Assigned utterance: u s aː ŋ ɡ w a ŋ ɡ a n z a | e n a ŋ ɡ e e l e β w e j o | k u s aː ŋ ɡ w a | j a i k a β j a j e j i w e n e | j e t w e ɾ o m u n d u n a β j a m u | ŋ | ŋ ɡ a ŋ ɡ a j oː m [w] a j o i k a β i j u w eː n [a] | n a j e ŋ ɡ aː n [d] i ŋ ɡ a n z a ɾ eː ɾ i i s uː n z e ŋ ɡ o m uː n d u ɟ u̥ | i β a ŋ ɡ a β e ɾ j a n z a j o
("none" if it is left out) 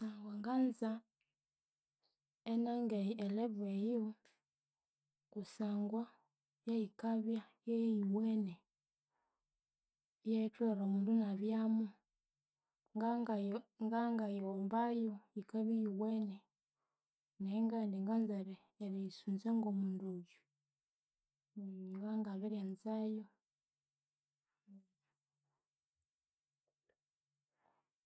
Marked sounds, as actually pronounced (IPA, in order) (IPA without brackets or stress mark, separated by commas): b, e, d